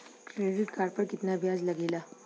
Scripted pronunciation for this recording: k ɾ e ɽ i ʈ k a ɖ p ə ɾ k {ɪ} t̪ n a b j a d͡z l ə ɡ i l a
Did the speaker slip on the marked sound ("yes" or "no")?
yes